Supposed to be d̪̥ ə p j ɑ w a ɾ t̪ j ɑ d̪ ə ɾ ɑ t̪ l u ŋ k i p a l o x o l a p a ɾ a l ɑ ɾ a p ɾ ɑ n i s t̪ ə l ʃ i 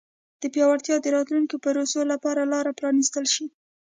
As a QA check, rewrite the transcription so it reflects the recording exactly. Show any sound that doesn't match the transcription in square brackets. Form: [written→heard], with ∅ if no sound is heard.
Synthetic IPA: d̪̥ ə p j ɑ w a ɾ t̪ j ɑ d̪ ə ɾ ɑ t̪ l u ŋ k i p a [l→ɾ] o [x→s] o l a p [a→ɑ] ɾ a l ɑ ɾ a p ɾ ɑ n i s t̪ ə l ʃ i